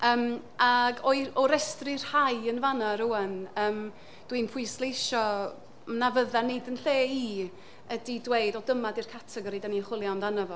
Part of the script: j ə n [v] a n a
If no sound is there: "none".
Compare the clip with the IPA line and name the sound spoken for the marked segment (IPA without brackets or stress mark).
v